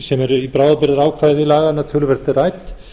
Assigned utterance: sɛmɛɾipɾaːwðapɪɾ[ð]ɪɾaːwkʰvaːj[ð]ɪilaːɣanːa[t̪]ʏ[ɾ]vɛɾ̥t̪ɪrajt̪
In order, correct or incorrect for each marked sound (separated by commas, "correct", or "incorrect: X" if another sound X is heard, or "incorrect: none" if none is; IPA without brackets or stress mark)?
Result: correct, correct, incorrect: t̪ʰ, incorrect: l